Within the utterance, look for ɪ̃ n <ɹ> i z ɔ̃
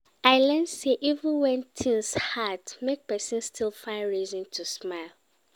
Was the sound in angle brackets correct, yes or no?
yes